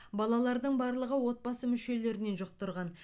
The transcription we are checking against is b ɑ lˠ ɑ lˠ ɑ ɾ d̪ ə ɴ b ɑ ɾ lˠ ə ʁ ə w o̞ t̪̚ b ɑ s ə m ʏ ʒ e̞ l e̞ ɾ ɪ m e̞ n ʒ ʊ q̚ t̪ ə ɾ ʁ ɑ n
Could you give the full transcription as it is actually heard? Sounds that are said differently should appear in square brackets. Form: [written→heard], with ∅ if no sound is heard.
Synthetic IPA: b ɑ lˠ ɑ lˠ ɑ ɾ d̪ ə ɴ b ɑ ɾ lˠ ə ʁ ə w o̞ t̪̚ b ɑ s ə m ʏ [ʒ→ʃ] e̞ l e̞ ɾ ɪ [m→n] e̞ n ʒ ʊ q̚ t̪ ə ɾ ʁ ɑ n